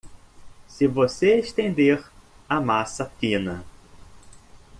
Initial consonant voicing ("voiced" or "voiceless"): voiceless